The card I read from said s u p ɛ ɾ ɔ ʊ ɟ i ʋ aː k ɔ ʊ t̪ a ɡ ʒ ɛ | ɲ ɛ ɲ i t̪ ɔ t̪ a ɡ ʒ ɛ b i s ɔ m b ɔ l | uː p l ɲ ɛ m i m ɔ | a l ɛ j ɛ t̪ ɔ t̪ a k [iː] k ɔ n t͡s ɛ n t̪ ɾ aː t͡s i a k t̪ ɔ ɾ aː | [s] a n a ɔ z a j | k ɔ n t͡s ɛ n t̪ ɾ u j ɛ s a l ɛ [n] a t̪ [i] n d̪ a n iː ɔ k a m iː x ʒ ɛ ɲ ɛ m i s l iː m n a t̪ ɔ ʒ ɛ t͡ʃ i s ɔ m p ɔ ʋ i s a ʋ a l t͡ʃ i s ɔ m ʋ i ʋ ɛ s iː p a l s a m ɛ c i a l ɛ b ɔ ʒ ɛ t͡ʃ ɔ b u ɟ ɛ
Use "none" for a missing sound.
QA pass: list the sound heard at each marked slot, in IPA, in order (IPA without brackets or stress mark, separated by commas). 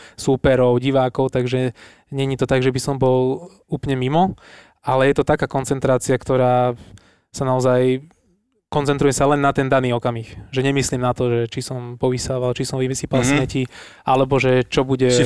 aː, s, nː, ɛ